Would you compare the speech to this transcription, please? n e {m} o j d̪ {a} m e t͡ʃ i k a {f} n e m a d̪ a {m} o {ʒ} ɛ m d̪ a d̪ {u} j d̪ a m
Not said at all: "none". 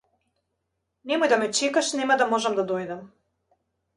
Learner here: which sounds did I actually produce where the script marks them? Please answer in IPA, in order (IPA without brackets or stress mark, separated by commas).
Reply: m, a, ʃ, m, ʒ, o